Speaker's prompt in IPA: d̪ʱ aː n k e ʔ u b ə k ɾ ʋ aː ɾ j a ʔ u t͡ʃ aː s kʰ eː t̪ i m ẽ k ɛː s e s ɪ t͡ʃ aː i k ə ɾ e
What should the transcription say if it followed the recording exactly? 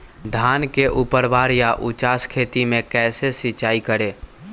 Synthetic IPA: d̪ʱ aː n k e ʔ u p ə ɾ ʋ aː ɾ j a ʔ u t͡ʃ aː s kʰ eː t̪ i m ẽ k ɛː s e s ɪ t͡ʃ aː i k ə ɾ e